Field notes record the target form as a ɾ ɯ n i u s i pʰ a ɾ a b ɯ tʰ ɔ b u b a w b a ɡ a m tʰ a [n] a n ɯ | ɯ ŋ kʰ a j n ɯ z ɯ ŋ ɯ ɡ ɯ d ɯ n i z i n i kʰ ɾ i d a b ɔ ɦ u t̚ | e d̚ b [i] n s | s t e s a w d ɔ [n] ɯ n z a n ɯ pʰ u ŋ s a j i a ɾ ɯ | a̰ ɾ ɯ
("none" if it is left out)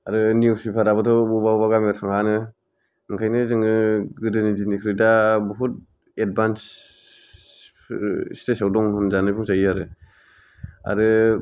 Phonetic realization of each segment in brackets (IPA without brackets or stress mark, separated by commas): ŋ, a, ŋ